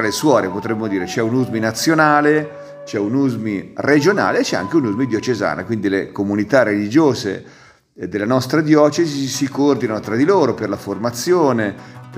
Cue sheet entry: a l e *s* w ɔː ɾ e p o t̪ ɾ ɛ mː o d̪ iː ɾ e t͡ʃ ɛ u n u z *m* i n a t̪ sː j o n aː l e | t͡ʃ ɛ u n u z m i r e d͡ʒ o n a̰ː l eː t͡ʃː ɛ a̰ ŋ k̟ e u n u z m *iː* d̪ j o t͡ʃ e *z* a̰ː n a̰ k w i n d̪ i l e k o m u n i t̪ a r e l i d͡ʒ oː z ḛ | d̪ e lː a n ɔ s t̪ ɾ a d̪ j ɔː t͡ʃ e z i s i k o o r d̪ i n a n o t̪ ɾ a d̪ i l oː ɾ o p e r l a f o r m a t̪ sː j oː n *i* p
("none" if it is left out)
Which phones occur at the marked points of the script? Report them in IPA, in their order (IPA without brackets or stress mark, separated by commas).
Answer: s, m, i, z, e